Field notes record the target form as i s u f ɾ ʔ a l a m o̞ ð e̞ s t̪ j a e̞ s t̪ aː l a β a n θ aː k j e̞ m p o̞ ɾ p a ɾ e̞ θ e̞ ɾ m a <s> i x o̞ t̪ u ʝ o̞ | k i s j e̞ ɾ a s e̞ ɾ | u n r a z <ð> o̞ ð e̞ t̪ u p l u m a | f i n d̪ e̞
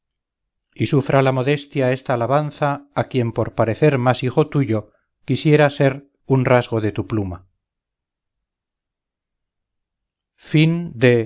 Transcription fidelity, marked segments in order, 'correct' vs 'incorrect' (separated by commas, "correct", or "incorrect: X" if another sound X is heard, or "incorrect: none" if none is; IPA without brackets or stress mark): correct, incorrect: ɣ